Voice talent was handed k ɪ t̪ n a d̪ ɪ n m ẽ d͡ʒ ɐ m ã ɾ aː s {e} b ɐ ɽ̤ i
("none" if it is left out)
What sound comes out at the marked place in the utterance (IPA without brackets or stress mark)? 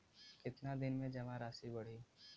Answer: i